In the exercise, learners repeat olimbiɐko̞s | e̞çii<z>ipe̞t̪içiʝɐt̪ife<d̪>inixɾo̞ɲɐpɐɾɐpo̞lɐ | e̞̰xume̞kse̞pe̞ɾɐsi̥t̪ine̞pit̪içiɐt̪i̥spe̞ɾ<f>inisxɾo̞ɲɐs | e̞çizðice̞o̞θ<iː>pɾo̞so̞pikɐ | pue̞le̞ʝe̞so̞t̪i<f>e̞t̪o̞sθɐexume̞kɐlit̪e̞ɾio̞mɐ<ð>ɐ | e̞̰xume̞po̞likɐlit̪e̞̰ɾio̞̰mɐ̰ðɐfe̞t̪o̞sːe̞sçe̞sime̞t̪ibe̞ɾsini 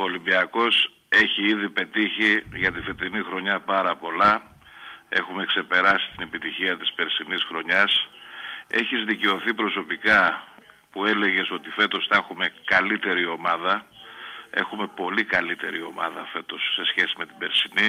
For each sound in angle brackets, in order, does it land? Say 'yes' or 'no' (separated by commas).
no, no, no, no, yes, yes